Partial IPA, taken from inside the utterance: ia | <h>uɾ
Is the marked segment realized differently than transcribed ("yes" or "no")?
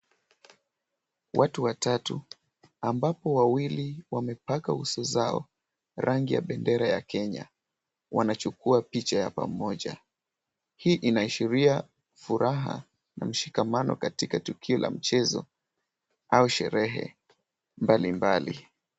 yes